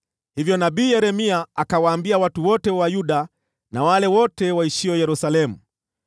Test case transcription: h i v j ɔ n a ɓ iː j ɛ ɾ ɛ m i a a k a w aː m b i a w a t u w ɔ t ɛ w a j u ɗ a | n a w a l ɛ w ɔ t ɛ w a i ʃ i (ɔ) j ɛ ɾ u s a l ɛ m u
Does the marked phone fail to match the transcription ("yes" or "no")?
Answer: no